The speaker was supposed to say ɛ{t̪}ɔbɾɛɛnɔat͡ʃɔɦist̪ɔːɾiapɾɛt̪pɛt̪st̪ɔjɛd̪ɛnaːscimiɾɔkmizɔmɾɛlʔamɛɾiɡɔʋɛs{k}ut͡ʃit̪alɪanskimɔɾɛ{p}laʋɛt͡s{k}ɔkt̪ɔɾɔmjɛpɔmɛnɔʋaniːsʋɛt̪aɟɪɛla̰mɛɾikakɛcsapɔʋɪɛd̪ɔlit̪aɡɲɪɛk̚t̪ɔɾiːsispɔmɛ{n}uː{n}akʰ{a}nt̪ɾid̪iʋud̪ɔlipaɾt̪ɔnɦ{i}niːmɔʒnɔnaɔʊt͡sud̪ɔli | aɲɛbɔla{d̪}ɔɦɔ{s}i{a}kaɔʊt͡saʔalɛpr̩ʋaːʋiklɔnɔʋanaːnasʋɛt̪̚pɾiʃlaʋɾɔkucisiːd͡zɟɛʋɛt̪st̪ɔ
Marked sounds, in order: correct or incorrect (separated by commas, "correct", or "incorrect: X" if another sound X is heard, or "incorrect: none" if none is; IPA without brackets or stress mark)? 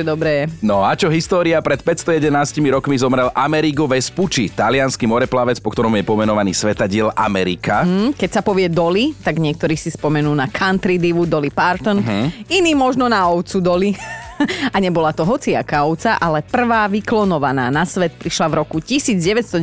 incorrect: d̪, incorrect: p, correct, incorrect: p, correct, correct, correct, correct, incorrect: t̪, incorrect: t͡s, correct